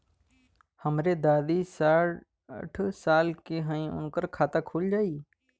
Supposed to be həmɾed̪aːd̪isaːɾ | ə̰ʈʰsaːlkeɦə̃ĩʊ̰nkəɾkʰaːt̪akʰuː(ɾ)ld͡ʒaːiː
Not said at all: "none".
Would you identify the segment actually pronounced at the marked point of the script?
none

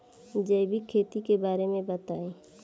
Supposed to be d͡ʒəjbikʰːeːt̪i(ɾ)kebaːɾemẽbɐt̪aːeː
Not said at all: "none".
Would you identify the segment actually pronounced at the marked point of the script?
none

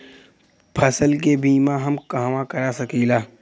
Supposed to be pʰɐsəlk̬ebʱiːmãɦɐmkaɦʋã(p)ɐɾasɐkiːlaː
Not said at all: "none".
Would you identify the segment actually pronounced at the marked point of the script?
k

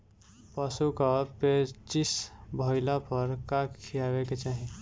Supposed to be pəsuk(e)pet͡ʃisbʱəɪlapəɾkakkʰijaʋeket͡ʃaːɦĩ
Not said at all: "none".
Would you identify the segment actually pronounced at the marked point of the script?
a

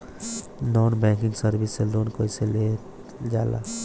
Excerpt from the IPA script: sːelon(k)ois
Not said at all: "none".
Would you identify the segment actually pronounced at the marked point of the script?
k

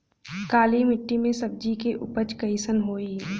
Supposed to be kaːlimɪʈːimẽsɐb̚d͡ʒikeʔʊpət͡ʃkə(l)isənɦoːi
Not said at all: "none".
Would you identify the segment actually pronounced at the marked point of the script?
none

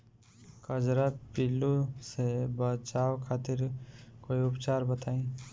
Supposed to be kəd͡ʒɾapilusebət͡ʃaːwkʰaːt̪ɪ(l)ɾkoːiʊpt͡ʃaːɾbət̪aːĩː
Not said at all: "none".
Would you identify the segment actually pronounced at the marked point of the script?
none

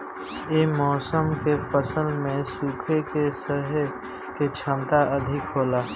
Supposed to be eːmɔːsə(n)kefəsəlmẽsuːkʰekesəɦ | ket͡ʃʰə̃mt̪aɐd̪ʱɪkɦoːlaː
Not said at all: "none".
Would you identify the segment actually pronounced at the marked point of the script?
m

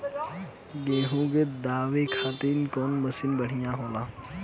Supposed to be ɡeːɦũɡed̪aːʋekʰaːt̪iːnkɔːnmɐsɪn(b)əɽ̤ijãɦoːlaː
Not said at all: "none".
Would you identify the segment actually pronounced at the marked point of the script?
b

